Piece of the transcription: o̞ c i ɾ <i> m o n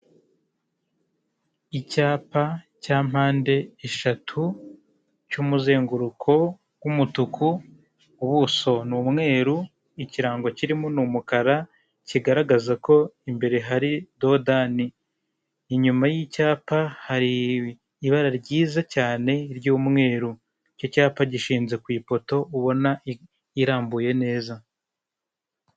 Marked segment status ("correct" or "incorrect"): correct